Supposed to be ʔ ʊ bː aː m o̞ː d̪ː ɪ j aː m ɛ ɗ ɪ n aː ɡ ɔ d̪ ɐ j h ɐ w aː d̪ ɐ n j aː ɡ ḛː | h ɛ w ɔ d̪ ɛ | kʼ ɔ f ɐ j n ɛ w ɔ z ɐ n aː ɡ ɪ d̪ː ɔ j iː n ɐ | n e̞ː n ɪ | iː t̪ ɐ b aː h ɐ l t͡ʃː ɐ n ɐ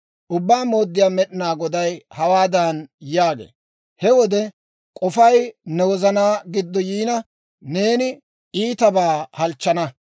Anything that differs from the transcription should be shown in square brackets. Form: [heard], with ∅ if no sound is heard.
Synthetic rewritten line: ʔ ʊ bː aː m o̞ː d̪ː ɪ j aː m ɛ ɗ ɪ n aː ɡ ɔ d̪ ɐ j h ɐ w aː d̪ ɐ n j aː ɡ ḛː | h ɛ w ɔ d̪ ɛ | kʼ ɔ f ɐ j n ɛ w ɔ z ɐ n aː ɡ ɪ d̪ː ɔ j iː n ɐ | n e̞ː n ɪ | iː t̪ ɐ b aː h ɐ l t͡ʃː ɐ n ɐ

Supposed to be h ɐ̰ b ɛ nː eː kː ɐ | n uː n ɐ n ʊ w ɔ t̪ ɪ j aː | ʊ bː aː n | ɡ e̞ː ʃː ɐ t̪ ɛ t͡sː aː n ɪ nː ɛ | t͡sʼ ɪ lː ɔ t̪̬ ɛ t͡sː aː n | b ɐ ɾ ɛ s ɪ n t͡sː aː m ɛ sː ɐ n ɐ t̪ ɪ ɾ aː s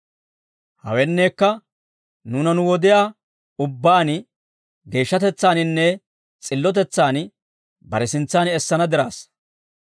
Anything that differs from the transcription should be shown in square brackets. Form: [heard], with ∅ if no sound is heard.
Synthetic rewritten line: h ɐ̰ [w] ɛ nː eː kː ɐ | n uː n ɐ n ʊ w ɔ [d̪] ɪ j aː | ʊ bː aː n | ɡ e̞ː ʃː ɐ t̪ ɛ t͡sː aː n ɪ nː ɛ | t͡sʼ ɪ lː ɔ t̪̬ ɛ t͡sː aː n | b ɐ ɾ ɛ s ɪ n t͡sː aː [n] ɛ sː ɐ n ɐ [d̪] ɪ ɾ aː s

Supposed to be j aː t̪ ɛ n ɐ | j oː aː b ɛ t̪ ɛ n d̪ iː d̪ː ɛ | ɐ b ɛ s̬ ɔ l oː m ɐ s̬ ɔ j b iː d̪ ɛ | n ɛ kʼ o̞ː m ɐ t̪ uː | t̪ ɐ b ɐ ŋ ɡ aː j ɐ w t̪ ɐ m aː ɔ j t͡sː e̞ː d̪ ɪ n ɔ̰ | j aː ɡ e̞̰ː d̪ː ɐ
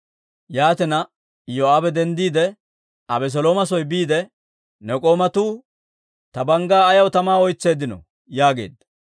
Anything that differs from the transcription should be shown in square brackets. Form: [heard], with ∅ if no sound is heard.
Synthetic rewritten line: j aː t̪ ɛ n ɐ | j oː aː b ɛ [d̪] ɛ n d̪ iː [d̪] ɛ | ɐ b ɛ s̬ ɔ l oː m ɐ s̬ ɔ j b iː d̪ ɛ | n ɛ kʼ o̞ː m ɐ t̪ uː | t̪ ɐ b ɐ ŋ ɡ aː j ɐ w t̪ ɐ m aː ɔ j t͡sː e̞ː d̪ ɪ n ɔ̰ | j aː ɡ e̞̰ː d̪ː ɐ

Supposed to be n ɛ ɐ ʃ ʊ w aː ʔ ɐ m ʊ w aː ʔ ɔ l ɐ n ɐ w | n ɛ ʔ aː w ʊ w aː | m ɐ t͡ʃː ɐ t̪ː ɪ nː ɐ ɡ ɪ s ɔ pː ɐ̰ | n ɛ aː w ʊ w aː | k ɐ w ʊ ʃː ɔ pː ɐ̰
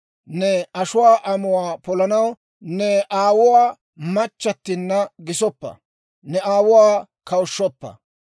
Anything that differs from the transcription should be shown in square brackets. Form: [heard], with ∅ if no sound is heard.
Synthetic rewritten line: n ɛ ɐ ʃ ʊ w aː ʔ ɐ m ʊ w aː [p] ɔ l ɐ n ɐ w | n ɛ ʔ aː w ʊ w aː | m ɐ t͡ʃː ɐ t̪ː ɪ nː ɐ ɡ ɪ s ɔ pː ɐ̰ | n ɛ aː w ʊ w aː | k ɐ w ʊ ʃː ɔ pː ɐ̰

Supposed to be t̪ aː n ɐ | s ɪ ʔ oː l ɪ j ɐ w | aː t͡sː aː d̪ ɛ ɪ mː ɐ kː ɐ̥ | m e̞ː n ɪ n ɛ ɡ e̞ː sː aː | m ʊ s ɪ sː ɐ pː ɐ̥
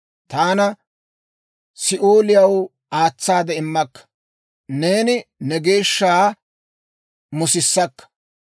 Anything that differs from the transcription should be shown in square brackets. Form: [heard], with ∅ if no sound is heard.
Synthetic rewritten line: t̪ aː n ɐ | s ɪ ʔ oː l ɪ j ɐ w | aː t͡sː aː d̪ ɛ ɪ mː ɐ kː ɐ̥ | [n] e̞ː n ɪ n ɛ ɡ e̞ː [ʃː] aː | m ʊ s ɪ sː ɐ [kː] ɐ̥

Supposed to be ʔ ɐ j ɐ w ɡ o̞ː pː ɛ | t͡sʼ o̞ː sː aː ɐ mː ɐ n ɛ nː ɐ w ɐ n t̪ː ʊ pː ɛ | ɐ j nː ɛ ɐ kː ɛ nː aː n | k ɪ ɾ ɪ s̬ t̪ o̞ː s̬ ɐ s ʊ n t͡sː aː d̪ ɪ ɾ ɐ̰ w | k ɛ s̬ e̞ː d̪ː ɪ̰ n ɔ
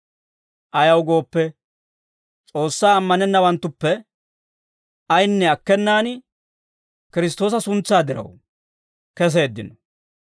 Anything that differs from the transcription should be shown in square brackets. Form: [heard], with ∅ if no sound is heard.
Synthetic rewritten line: ʔ ɐ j ɐ w ɡ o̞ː pː ɛ | t͡sʼ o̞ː sː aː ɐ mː ɐ n ɛ nː ɐ w ɐ n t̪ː ʊ pː ɛ | ɐ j nː ɛ ɐ kː ɛ nː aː n | k ɪ ɾ ɪ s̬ t̪ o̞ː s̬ ɐ s ʊ n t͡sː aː d̪ ɪ ɾ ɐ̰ w | k ɛ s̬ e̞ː d̪ː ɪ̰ n ɔ

